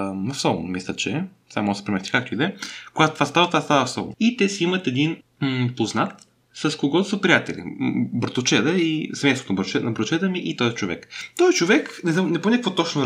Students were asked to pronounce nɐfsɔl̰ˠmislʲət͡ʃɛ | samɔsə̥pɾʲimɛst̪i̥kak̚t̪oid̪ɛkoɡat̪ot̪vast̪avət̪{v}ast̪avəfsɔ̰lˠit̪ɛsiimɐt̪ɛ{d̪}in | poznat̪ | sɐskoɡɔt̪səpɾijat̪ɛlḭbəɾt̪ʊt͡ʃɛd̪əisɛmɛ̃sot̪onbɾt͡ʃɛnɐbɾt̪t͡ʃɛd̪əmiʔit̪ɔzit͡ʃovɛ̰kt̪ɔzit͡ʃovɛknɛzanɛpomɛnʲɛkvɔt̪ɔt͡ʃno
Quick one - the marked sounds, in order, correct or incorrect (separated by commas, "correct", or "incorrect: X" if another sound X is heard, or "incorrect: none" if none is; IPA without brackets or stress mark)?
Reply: correct, correct